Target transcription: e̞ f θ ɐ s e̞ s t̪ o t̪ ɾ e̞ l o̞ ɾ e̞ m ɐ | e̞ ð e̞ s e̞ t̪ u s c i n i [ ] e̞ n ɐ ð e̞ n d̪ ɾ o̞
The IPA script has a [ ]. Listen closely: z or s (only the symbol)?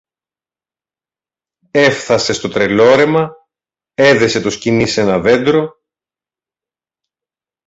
s